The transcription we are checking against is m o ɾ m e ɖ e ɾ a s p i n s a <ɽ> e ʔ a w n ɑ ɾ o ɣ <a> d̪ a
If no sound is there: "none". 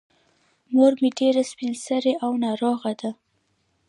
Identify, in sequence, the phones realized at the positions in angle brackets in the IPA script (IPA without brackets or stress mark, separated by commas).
ɾ, a